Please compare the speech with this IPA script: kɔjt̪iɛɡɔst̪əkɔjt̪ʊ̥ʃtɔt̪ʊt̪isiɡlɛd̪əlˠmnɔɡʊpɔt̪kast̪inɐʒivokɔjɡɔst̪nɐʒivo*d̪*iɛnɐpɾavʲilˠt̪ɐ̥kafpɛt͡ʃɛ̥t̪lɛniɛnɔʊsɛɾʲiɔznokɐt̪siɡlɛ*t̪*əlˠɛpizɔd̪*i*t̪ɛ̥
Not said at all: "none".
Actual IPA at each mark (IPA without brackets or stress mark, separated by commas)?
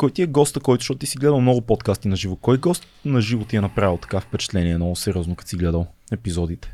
t̪, d̪, i